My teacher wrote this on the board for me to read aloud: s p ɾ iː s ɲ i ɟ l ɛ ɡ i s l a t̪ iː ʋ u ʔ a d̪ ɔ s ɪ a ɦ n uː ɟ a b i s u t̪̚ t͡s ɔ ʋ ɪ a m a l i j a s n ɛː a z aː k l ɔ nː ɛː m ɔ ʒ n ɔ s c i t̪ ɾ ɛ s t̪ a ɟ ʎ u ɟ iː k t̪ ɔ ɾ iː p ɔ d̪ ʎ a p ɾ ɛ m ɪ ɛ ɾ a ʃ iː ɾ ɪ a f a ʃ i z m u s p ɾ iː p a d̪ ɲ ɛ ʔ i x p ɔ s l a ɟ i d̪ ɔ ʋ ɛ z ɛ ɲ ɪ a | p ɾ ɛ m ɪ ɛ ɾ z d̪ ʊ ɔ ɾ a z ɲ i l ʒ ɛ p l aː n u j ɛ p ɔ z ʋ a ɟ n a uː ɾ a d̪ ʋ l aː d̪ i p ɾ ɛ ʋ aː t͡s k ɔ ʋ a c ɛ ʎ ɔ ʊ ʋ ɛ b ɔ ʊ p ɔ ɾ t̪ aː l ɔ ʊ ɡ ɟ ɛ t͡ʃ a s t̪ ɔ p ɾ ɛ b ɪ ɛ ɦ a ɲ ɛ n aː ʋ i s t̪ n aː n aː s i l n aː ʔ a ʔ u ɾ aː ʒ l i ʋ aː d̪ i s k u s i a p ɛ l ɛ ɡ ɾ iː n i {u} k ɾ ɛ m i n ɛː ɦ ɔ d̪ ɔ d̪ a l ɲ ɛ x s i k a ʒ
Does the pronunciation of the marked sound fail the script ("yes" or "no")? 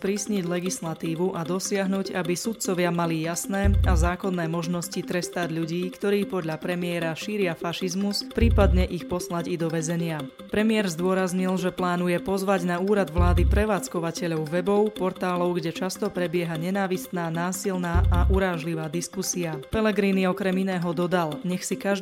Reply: yes